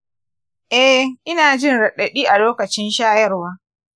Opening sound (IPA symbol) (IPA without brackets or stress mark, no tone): ʔ